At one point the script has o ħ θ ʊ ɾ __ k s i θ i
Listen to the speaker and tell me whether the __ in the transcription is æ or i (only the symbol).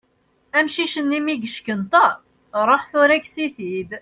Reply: æ